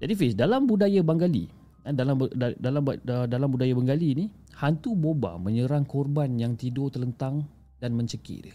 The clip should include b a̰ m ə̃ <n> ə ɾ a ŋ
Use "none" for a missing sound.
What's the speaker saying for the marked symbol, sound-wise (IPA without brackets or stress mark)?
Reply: ɲ